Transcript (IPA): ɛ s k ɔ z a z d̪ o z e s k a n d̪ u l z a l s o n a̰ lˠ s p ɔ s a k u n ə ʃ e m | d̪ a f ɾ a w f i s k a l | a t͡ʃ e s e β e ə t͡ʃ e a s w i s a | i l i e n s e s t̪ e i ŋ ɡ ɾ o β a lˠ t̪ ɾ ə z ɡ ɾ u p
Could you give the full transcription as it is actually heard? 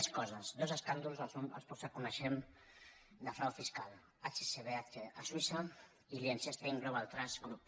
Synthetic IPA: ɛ s k ɔ z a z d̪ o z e s k a n d̪ u l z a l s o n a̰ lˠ s p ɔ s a k u n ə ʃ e m | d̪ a f ɾ a w f i s k a l | a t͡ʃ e s e β e a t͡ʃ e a s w i s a | i l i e n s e s t̪ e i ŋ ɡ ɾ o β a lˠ t̪ ɾ a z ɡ ɾ u p